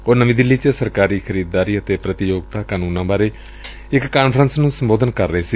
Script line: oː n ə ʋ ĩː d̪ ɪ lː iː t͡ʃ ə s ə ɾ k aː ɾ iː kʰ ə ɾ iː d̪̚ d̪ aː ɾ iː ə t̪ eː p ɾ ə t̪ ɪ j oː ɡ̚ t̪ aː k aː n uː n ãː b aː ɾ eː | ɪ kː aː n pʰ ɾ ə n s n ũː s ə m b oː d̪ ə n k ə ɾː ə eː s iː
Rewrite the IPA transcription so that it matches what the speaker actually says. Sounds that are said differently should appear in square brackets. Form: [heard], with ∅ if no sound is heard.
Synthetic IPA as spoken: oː n ə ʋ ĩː d̪ ɪ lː iː t͡ʃ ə s ə ɾ k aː ɾ iː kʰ ə ɾ iː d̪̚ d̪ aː ɾ iː ə t̪ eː p ɾ ə t̪ ɪ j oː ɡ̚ t̪ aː k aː n uː n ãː b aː ɾ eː | ɪ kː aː n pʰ ɾ ə n s n ũː s ə m b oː d̪ ə n k ə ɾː ə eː s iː